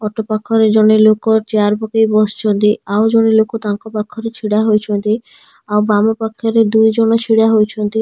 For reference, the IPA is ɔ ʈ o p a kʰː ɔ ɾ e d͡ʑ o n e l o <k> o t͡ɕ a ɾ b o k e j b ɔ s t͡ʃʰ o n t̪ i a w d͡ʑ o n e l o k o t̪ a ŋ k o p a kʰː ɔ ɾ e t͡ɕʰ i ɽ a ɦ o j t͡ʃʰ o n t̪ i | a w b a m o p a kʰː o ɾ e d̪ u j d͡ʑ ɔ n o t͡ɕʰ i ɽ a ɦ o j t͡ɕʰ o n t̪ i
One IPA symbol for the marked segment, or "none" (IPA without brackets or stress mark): k